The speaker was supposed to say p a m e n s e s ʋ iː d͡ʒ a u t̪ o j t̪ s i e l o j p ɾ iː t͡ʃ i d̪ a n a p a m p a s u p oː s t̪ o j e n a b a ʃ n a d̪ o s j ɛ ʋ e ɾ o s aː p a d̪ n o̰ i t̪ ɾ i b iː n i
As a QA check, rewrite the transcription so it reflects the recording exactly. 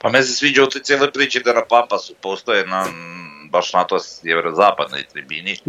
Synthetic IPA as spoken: p a m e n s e s ʋ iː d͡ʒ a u t̪ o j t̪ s j e l o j p ɾ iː t͡ʃ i d̪ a n a p a m p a s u p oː s t̪ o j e n a b a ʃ n a t̪ o s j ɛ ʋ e ɾ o z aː p a d̪ n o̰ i t̪ ɾ i b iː n i